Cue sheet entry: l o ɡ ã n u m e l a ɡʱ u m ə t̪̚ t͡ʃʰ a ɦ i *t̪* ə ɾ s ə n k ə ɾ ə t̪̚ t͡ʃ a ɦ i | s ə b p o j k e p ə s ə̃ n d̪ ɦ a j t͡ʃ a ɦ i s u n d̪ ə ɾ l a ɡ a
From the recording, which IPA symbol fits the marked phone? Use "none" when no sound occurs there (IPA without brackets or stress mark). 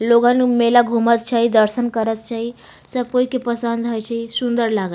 d̪